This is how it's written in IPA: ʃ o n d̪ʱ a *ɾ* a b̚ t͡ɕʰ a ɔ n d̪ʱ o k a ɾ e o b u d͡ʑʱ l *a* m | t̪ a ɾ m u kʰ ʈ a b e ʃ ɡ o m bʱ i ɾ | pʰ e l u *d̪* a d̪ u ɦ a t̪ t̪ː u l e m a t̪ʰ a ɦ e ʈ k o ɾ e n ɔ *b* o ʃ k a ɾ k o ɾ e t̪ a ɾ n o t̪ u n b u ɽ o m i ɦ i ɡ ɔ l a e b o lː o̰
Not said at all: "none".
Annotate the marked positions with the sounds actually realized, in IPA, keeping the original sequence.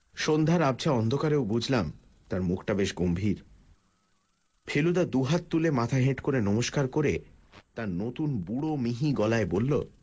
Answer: ɾ, a, d̪, m

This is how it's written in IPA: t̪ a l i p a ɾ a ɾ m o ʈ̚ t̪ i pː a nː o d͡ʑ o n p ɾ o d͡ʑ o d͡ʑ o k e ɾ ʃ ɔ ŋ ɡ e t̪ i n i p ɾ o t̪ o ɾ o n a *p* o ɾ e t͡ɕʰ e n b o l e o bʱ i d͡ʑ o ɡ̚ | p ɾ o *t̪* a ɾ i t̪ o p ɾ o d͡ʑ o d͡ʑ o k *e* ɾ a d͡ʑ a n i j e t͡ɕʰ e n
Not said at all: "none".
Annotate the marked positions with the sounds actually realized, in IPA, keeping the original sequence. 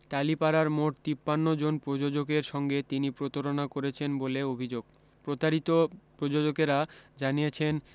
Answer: k, t̪, e

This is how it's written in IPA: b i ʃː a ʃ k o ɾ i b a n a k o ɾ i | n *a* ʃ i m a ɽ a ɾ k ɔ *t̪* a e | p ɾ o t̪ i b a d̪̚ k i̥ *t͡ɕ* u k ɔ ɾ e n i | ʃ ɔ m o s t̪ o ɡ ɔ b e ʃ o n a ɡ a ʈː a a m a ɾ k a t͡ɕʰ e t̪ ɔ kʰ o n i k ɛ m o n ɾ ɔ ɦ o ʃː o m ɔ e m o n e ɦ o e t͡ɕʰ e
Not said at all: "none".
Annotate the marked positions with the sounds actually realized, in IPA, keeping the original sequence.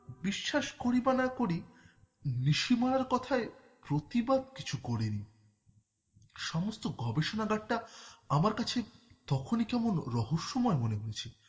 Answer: i, t̪ʰ, t͡ɕʰ

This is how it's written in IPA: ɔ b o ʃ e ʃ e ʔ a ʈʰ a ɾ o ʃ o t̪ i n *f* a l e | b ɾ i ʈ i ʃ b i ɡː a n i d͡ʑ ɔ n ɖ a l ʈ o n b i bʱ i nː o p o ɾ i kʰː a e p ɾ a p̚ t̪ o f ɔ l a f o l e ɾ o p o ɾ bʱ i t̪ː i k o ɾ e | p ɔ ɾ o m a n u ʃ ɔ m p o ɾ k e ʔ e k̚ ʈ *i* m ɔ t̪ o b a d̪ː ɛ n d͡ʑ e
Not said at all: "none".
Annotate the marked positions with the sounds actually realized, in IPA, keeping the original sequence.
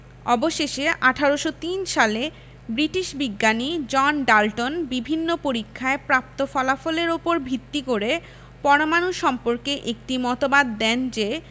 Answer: ʃ, i

